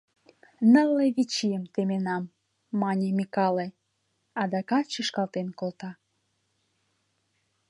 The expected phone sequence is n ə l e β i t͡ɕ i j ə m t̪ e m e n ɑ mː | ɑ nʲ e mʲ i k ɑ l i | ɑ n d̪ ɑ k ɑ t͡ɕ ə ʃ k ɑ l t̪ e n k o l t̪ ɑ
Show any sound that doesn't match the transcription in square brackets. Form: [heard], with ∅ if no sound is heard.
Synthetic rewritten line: n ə l e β i t͡ɕ i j ə m t̪ e m e n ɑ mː | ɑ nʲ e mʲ i k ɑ l [e] | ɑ [∅] d̪ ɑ k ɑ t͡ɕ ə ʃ k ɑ l t̪ e n k o l t̪ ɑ

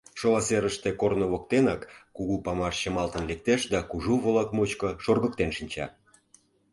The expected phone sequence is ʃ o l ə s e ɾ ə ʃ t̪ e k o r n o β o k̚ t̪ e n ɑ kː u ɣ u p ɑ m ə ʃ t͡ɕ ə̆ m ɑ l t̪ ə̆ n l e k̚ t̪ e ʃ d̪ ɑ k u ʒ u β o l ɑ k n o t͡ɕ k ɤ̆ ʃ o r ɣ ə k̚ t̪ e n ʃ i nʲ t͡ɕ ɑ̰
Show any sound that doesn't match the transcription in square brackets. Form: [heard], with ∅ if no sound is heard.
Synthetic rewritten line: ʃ o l [ɑ] s e ɾ ə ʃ t̪ e k o r n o β o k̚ t̪ e n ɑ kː u ɣ u p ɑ m [ɑ] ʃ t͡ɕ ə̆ m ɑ l t̪ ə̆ n l e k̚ t̪ e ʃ d̪ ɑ k u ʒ u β o l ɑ k [m] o t͡ɕ k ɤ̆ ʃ o r ɣ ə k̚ t̪ e n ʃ i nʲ t͡ɕ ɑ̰

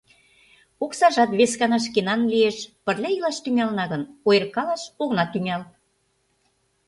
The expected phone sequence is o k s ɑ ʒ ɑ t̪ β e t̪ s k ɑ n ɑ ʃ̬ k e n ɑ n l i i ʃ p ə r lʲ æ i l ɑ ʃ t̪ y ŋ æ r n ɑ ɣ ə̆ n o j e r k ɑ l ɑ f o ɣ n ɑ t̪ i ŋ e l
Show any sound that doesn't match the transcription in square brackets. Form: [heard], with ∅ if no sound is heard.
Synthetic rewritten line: o k s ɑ ʒ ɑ t̪ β e [∅] s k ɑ n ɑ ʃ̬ k e n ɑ n l i [e] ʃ p ə r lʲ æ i l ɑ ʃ t̪ y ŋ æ [l] n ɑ ɣ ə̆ n o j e r k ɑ l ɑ [ʃ] o ɣ n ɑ t̪ [y] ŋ [æ] l

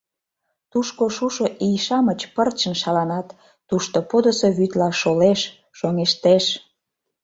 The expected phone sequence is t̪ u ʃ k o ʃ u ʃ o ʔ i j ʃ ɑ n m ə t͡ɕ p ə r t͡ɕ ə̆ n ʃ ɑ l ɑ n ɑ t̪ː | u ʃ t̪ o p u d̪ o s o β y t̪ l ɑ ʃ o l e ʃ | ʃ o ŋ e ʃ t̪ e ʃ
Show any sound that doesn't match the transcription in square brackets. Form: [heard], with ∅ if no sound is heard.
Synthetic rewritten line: t̪ u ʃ k o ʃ u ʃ o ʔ i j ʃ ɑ [∅] m ə t͡ɕ p ə r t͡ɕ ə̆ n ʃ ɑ l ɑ n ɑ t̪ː | u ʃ t̪ o p [o] d̪ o s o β y t̪ l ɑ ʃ o l e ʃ | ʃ o ŋ e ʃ t̪ e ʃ

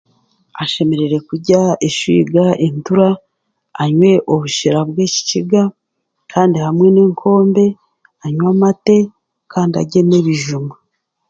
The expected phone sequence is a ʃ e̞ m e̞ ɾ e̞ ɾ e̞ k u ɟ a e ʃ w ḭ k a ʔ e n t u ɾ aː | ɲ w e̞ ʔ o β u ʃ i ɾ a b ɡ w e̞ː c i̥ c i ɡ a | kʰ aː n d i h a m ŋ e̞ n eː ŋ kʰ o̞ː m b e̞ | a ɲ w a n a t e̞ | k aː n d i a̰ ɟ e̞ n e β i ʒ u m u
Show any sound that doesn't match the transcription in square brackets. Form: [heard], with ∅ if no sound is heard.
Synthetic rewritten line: a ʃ e̞ m e̞ ɾ e̞ ɾ e̞ k u ɟ a e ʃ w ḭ [ɡ] a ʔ e n t u ɾ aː | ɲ w e̞ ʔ o β u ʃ i ɾ a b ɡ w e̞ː c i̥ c i ɡ a | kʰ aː n d i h a m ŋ e̞ n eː ŋ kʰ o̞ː m b e̞ | a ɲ w a [m] a t e̞ | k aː n d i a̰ ɟ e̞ n e β i ʒ u m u

